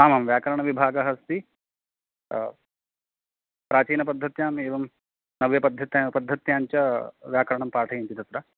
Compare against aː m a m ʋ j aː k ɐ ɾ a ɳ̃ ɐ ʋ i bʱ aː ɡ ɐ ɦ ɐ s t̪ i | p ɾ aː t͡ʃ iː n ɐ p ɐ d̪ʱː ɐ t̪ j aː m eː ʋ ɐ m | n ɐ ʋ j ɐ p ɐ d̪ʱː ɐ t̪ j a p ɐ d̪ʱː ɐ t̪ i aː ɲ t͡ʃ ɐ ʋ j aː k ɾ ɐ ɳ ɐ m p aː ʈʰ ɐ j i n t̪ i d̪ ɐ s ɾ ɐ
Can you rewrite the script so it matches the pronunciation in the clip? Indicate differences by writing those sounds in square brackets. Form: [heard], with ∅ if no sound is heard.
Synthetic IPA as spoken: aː m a m ʋ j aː k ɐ ɾ [ɐ] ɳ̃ ɐ ʋ i bʱ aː ɡ ɐ ɦ ɐ s t̪ i | p ɾ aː t͡ʃ iː n ɐ p ɐ d̪ʱː ɐ t̪ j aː m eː ʋ ɐ m | n ɐ ʋ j ɐ p ɐ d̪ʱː ɐ t̪ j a p ɐ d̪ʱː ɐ t̪ [j] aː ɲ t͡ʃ ɐ ʋ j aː k ɾ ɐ ɳ ɐ m p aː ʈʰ ɐ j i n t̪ i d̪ ɐ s ɾ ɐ